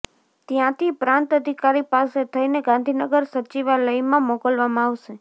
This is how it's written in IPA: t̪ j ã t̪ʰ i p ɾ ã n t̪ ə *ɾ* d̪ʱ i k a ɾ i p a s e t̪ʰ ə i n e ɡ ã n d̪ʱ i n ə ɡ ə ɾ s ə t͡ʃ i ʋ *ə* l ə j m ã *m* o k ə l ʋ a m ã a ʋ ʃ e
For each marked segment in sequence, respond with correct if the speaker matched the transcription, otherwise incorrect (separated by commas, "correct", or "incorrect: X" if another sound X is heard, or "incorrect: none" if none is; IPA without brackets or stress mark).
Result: incorrect: none, incorrect: a, correct